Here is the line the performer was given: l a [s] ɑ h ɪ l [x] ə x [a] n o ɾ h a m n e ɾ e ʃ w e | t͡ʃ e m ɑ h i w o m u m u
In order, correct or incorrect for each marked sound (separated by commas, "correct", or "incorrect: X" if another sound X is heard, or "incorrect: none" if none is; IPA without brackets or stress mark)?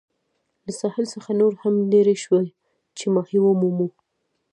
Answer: correct, incorrect: s, correct